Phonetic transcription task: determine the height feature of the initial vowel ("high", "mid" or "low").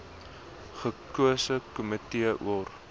mid